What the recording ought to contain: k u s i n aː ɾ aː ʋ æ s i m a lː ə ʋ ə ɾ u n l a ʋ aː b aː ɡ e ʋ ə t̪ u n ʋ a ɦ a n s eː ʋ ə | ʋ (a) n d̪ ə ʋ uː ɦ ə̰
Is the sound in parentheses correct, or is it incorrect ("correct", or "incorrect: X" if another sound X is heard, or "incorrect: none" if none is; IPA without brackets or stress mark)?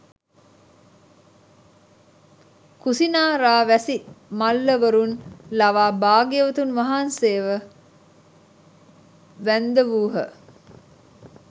incorrect: æ